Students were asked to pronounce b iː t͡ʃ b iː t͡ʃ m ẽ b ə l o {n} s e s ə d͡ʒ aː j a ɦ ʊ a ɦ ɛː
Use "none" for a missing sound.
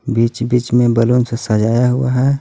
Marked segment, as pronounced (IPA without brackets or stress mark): n